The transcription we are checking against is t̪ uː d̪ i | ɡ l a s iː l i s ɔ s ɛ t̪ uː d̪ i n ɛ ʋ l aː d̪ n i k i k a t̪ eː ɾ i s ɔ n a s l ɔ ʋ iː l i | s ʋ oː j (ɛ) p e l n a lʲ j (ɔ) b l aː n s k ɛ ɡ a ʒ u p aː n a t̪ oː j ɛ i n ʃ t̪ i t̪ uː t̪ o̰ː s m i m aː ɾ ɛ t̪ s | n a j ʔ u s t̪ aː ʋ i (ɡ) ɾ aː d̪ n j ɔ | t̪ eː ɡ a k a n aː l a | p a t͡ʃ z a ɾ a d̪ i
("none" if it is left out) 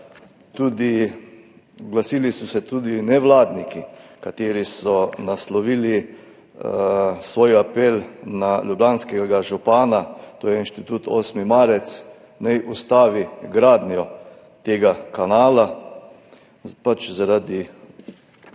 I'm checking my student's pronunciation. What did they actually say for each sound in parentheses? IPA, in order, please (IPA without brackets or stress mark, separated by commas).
a, u, ɡ